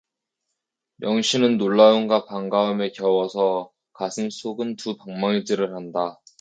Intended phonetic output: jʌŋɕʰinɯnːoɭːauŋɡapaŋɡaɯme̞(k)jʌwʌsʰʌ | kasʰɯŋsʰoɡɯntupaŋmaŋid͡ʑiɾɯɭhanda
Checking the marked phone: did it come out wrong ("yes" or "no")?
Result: no